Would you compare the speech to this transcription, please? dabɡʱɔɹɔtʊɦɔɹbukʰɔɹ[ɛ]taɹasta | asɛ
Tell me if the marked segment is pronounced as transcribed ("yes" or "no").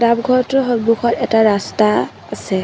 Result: yes